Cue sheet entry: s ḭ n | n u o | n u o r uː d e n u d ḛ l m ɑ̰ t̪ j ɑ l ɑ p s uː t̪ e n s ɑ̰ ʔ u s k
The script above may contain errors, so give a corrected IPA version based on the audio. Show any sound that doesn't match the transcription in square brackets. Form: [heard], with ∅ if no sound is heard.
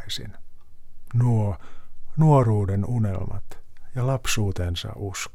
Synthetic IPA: s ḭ n | n u o | n u o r uː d e n u [n] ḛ l m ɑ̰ t̪ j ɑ l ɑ p s uː t̪ e n s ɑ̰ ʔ u s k